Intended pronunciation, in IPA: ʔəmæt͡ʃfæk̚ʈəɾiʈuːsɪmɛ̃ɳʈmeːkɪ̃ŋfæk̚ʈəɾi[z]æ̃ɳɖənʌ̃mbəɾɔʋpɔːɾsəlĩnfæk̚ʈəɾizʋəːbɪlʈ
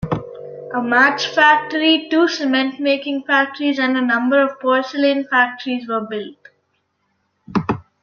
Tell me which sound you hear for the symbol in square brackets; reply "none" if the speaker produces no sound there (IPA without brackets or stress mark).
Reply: z